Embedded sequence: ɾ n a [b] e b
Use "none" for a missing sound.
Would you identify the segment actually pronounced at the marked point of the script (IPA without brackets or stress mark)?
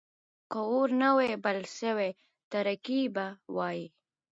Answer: w